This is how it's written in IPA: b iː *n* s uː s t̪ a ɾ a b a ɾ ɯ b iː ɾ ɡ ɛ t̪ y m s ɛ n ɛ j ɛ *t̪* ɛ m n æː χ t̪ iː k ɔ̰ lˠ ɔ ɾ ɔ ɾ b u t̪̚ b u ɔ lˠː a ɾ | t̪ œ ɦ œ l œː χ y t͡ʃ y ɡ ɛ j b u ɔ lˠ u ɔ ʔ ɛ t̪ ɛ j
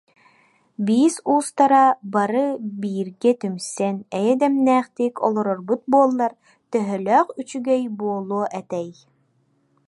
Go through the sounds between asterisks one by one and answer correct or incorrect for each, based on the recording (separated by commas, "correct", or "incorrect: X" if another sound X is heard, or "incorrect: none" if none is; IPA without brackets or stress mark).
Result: incorrect: none, incorrect: d̪